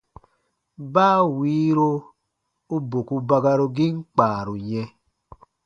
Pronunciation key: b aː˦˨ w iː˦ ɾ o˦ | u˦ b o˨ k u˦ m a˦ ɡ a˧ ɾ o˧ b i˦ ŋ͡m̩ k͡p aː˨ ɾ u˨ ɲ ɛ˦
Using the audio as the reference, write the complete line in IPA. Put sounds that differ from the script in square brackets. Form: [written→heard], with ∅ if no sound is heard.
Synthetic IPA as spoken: b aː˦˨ w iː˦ ɾ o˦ | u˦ b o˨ k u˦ [m→b] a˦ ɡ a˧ ɾ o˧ [b→ɡ] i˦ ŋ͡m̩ k͡p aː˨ ɾ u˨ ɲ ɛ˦